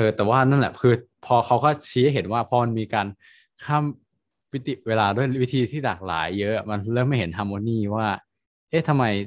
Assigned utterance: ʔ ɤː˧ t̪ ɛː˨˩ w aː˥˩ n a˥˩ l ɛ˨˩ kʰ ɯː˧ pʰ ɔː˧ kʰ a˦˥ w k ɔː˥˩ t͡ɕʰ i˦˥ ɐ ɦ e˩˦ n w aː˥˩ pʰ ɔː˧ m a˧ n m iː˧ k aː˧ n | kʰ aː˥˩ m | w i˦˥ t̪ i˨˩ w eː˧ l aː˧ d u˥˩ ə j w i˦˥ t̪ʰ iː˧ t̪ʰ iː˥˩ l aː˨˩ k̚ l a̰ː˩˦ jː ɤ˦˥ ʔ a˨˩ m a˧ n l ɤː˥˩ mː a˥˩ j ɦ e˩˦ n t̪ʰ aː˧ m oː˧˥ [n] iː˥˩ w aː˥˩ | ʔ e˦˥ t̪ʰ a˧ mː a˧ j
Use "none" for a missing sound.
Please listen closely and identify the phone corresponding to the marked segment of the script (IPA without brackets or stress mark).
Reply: n